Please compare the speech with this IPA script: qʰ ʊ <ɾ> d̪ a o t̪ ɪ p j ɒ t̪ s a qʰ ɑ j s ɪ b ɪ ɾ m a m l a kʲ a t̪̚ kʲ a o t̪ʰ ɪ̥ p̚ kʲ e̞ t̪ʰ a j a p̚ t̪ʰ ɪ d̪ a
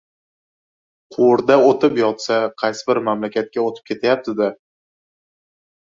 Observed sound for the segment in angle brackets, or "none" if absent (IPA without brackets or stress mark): ɾ